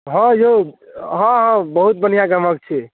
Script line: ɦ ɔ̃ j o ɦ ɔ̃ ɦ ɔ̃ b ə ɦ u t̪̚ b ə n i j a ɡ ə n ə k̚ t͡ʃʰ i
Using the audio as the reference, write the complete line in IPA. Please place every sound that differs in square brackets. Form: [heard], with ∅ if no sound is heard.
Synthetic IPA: ɦ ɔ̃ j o ɦ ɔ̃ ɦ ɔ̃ b ə ɦ u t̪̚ b ə n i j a ɡ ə [m] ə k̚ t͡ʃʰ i